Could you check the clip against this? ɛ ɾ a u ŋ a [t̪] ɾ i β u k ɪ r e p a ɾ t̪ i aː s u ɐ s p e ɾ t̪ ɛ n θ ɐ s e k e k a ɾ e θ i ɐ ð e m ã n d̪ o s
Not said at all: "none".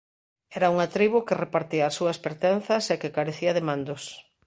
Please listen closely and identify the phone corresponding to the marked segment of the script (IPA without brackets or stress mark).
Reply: t̪